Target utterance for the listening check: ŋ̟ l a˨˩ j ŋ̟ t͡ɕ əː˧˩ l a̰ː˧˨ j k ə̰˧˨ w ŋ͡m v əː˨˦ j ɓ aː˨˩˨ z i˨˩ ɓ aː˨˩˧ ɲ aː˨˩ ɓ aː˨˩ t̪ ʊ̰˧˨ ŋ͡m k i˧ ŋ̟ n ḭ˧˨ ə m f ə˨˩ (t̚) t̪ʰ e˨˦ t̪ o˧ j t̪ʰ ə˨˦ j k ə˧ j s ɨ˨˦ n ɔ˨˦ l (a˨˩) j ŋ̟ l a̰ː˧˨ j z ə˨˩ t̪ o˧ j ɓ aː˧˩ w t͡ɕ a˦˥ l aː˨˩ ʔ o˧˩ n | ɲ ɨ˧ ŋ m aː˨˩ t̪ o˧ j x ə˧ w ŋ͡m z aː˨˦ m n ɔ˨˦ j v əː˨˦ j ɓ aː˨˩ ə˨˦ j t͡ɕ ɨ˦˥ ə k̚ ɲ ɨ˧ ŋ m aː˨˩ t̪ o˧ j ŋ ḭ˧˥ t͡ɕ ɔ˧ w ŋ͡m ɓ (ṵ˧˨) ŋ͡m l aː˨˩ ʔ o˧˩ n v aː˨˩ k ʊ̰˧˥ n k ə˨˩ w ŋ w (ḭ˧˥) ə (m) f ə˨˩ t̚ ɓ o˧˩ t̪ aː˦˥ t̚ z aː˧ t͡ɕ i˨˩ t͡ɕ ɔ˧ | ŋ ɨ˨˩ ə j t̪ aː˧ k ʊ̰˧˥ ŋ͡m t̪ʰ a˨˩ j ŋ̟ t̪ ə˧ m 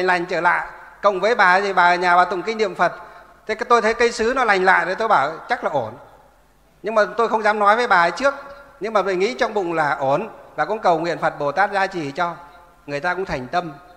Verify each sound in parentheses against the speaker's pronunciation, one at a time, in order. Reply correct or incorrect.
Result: correct, correct, incorrect: ʊ̰˧˨, incorrect: ḭ˧˨, incorrect: n

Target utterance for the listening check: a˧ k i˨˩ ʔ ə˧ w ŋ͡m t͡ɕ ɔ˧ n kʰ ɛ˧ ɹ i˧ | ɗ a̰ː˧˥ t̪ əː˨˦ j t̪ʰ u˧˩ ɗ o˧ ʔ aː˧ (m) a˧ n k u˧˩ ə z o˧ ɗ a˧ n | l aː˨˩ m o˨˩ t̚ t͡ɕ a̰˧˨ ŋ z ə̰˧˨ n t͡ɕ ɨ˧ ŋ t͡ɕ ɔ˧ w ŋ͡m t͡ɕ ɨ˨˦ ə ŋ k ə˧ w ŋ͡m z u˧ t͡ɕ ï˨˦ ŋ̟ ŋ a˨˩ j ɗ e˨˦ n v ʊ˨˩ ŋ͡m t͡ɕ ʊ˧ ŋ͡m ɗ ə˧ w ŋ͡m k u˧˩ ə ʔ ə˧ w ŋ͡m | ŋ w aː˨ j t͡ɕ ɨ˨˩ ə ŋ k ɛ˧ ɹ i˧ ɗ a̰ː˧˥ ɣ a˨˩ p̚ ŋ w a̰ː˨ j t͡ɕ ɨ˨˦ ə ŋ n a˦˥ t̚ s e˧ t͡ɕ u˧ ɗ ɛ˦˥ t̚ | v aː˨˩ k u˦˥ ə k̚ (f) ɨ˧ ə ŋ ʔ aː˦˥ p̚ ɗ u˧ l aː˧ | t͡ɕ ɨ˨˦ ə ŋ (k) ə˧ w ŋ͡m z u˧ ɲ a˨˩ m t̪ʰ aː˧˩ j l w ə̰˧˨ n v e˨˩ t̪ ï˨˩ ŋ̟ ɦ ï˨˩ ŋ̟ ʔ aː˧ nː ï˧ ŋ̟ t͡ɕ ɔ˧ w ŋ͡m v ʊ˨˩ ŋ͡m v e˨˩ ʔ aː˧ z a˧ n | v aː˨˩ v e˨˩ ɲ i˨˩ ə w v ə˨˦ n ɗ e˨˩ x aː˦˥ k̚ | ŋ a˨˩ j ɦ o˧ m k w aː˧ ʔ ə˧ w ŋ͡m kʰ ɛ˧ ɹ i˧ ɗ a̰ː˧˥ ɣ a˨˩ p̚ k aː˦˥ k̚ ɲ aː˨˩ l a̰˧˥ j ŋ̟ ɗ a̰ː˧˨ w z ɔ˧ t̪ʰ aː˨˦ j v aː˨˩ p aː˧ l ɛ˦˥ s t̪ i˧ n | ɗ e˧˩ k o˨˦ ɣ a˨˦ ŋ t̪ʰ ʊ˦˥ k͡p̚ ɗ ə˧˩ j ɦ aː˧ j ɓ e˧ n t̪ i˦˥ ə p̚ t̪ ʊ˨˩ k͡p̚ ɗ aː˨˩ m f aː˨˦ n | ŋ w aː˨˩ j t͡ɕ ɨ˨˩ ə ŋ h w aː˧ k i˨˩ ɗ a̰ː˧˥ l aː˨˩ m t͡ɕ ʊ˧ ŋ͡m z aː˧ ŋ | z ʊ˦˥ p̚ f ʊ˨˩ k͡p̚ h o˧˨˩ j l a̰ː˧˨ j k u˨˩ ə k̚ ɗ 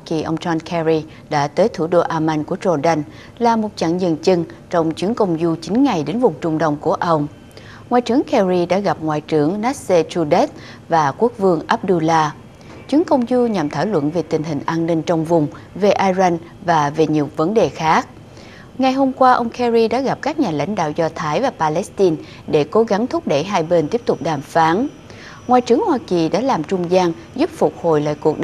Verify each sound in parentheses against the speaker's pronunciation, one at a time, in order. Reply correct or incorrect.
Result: correct, incorrect: v, correct

